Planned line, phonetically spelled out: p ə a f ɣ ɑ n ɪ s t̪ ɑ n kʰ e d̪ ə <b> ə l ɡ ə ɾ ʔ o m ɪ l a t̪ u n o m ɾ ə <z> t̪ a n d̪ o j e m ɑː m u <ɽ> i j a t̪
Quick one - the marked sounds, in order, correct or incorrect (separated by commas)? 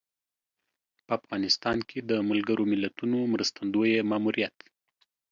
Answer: incorrect, incorrect, incorrect